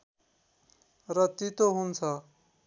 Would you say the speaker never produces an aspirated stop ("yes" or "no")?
no